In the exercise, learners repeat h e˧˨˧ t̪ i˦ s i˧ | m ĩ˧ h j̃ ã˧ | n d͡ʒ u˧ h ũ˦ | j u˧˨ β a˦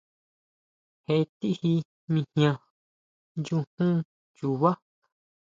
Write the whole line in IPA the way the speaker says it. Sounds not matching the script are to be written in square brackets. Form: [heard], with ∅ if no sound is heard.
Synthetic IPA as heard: h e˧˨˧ t̪ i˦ [h] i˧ | m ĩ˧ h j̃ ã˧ | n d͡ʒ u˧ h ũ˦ | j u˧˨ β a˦